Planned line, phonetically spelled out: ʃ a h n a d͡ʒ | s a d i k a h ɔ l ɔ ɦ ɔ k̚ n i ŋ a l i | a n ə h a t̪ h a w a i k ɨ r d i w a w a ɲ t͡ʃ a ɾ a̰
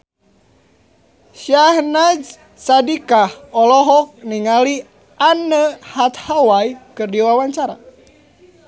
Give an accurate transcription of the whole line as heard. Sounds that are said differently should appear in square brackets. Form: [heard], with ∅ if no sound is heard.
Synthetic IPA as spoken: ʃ a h n a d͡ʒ | s a d i k a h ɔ l ɔ ɦ ɔ k̚ n i ŋ a l i | a n ə h a t̪ h a w a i k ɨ r d i w a w a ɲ t͡ʃ a ɾ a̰